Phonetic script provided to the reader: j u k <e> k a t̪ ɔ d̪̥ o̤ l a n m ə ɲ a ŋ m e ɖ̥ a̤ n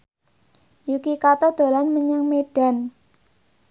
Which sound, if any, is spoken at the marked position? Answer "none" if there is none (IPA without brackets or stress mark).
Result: i